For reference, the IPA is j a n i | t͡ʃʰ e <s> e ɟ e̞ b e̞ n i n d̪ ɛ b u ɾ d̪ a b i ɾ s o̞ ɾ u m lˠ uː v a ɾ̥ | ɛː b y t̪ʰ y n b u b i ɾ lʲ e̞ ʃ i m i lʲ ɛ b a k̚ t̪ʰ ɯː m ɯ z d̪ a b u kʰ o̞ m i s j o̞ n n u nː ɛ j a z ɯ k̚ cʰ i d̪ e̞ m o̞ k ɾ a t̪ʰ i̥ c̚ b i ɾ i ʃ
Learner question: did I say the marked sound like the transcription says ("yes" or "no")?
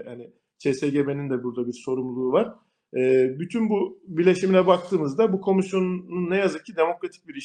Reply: yes